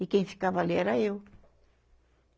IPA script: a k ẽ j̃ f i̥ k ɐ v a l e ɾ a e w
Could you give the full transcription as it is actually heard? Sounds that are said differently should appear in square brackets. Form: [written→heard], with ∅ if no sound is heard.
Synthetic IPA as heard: [a→i] k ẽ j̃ f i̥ k [ɐ→a] v a l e ɾ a e w